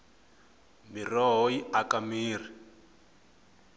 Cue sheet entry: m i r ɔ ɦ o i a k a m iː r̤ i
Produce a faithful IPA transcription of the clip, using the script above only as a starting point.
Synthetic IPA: m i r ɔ ɦ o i a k a m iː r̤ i